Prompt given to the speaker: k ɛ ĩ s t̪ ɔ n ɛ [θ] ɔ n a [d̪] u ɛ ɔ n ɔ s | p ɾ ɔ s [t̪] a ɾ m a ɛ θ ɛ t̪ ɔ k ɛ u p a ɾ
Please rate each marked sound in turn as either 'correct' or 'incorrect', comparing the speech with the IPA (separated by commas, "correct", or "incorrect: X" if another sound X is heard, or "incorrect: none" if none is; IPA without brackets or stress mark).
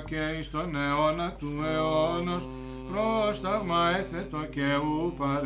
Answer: incorrect: none, incorrect: t̪, correct